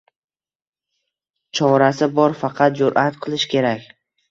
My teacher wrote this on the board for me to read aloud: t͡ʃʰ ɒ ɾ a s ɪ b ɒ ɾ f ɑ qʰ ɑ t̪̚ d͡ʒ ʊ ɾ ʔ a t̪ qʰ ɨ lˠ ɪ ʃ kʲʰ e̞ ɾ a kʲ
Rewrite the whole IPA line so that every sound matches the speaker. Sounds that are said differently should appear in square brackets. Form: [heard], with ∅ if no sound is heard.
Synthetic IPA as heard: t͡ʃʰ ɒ ɾ a s ɪ b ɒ ɾ f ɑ qʰ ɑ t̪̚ d͡ʒ ʊ ɾ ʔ a t̪ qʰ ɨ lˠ ɪ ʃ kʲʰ e̞ ɾ a kʲ

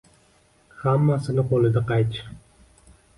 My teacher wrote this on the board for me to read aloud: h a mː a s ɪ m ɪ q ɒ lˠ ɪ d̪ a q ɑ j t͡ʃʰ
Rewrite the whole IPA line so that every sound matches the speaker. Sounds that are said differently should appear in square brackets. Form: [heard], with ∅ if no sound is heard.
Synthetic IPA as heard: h a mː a s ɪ [n] ɪ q [o] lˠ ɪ d̪ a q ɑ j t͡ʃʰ

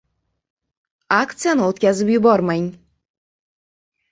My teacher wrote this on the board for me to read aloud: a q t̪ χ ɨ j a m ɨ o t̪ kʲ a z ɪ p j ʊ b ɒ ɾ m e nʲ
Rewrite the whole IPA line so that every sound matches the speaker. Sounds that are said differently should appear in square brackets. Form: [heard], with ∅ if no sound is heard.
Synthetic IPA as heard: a [k] t̪ [s] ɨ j a [n] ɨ o t̪ kʲ a z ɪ p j ʊ b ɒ ɾ m [a] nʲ

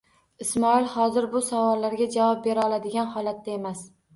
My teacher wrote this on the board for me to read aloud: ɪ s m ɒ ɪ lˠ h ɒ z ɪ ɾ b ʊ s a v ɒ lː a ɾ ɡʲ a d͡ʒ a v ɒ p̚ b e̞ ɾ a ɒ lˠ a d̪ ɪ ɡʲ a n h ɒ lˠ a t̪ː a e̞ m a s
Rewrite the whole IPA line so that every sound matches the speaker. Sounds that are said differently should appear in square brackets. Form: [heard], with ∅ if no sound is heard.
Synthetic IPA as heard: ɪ s m ɒ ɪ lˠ h ɒ z ɪ ɾ b ʊ s a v ɒ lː a ɾ ɡʲ a d͡ʒ a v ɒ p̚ b e̞ ɾ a ɒ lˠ a d̪ ɪ ɡʲ a n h ɒ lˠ a t̪ː a e̞ m a s

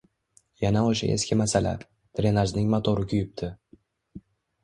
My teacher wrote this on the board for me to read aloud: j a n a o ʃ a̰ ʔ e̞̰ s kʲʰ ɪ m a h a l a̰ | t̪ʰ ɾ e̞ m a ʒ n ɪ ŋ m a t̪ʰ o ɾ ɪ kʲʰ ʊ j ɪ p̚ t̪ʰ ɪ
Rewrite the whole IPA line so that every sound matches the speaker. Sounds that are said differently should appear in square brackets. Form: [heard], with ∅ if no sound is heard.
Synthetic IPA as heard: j a n a o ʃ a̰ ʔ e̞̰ s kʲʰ ɪ m a [s] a l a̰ | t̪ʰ ɾ e̞ [n] a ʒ n ɪ ŋ m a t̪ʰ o ɾ ɪ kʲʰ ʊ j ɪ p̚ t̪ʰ ɪ

